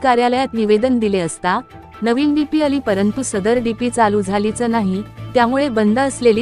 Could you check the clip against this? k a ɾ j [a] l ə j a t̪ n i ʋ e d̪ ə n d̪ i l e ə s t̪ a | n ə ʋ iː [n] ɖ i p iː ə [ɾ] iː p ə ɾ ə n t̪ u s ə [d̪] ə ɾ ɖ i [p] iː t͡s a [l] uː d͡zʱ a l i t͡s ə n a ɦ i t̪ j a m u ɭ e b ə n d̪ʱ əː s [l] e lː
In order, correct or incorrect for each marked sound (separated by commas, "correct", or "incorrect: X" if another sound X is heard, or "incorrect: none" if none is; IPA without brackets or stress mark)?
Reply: correct, correct, incorrect: l, correct, correct, correct, correct